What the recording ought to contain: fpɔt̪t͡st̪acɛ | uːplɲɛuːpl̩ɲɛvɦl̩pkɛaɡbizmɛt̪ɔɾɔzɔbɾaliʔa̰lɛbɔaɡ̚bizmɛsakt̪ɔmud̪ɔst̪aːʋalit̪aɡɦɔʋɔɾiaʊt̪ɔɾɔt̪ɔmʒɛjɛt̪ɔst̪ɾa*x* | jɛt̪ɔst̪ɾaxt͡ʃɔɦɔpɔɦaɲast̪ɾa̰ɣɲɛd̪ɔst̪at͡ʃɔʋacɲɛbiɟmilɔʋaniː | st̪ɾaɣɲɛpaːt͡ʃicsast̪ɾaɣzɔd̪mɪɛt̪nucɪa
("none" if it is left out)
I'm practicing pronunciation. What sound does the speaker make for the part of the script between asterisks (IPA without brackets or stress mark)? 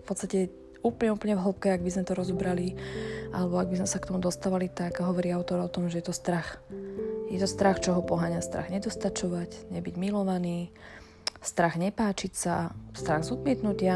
x